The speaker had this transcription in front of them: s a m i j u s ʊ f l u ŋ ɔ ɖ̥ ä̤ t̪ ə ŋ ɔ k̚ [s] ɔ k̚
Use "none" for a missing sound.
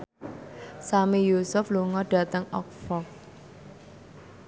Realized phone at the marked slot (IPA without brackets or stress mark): f